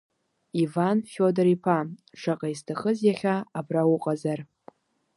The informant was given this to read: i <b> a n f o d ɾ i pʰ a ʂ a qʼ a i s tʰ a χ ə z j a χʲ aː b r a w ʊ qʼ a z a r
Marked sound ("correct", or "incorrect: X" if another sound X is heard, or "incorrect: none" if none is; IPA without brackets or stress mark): incorrect: v